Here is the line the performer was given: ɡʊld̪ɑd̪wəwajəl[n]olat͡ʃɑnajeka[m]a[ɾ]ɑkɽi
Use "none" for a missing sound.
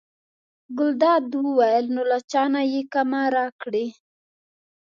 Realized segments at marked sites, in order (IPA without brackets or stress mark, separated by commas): n, m, ɾ